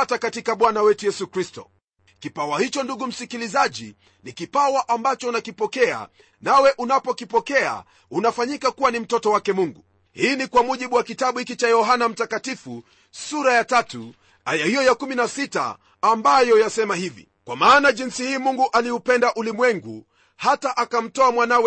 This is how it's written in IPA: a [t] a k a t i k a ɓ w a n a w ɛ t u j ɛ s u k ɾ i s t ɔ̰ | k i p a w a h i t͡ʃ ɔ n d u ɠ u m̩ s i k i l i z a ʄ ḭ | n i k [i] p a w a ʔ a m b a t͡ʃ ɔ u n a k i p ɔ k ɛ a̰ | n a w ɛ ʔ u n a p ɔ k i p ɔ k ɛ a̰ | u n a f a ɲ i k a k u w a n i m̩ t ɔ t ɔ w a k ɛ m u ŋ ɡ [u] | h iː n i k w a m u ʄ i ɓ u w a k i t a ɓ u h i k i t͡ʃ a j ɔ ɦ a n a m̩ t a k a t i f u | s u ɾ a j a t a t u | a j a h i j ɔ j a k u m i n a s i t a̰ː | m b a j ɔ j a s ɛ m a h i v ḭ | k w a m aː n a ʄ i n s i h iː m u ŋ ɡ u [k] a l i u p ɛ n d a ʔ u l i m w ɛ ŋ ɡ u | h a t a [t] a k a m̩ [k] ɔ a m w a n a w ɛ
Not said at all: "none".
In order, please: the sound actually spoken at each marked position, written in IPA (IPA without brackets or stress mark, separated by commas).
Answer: t, i, u, ʔ, ʔ, t